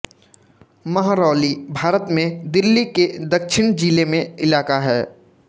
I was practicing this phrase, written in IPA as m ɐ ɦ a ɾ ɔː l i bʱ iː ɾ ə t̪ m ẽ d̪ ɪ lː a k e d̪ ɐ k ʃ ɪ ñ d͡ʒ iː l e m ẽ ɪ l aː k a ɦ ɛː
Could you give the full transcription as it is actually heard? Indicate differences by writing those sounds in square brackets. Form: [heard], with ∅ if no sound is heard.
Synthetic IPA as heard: m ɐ ɦ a ɾ ɔː l i bʱ [aː] ɾ ə t̪ m ẽ d̪ ɪ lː [i] k e d̪ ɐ k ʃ ɪ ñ d͡ʒ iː l e m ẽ ɪ l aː k a ɦ ɛː